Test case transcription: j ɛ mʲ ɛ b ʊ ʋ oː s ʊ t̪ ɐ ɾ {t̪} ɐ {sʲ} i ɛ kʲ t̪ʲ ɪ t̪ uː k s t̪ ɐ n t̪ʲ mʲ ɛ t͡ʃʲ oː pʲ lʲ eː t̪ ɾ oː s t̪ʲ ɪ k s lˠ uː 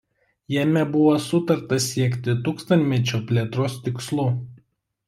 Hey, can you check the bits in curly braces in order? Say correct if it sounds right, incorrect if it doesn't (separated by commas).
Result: correct, correct